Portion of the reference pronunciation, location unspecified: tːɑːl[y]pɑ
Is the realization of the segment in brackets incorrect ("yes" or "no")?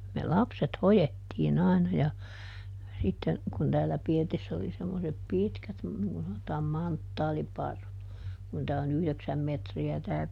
yes